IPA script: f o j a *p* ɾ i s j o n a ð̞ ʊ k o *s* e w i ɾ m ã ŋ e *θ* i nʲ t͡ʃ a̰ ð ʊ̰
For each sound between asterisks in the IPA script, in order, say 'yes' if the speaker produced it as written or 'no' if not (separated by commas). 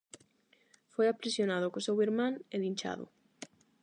yes, yes, no